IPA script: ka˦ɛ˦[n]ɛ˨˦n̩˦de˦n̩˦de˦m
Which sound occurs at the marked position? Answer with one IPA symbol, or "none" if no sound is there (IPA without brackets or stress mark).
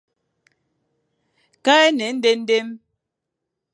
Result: n